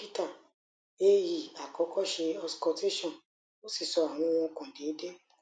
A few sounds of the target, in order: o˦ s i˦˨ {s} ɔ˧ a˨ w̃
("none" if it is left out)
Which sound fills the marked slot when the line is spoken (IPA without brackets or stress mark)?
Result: s